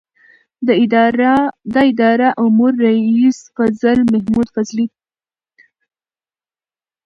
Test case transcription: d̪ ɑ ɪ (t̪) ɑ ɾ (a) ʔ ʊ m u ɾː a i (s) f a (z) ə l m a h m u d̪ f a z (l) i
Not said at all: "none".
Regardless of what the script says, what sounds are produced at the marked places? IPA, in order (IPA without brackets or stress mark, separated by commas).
d̪, a, s, z, l